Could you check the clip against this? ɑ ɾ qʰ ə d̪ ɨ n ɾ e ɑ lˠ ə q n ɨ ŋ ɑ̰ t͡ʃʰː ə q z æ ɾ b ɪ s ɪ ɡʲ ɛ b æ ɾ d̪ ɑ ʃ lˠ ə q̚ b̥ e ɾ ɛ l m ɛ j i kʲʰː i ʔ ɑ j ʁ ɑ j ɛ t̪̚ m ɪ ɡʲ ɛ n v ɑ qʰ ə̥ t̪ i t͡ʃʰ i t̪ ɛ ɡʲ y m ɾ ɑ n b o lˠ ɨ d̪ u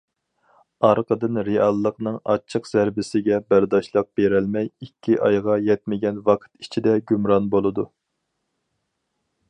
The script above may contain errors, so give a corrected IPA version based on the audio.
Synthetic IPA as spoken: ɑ ɾ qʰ ə d̪ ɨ n ɾ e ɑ lˠː ə q n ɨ ŋ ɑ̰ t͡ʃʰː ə q z æ ɾ b ɪ s ɪ ɡʲ ɛ b æ ɾ d̪ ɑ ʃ lˠ ə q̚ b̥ e ɾ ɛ l m ɛ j i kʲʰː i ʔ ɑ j ʁ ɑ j ɛ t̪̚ m ɪ ɡʲ ɛ n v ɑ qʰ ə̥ t̪ i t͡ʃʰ i d̪ ɛ ɡʲ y m ɾ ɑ n b o lˠ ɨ d̪ u